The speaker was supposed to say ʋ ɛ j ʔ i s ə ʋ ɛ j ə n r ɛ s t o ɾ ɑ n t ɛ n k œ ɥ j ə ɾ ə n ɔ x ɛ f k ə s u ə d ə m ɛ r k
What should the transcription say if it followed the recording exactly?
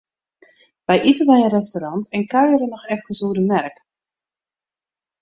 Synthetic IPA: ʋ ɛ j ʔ i t ə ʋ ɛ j ə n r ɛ s t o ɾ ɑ n t ɛ n k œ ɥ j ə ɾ ə n ɔ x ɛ f k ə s u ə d ə m ɛ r k